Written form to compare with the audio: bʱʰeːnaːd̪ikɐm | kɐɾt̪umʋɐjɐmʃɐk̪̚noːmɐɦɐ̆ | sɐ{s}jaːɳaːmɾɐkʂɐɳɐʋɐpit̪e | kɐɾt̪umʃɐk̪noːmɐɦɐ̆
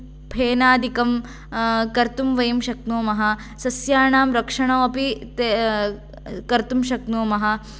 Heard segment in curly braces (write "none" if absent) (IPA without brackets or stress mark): s